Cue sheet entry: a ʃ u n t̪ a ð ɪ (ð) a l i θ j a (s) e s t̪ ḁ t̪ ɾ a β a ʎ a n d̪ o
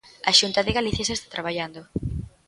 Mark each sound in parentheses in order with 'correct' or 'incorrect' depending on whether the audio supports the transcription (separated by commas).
incorrect, correct